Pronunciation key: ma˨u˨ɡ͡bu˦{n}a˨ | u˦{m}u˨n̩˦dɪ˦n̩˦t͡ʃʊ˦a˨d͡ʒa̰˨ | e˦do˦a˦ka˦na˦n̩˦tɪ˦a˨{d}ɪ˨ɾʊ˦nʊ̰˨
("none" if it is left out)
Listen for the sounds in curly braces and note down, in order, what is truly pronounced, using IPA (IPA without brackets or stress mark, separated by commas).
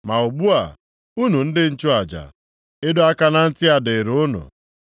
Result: none, n, d